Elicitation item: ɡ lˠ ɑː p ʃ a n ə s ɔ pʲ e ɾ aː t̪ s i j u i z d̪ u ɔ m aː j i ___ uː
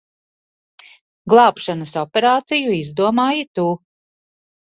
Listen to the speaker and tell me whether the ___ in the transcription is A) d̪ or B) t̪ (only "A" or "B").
B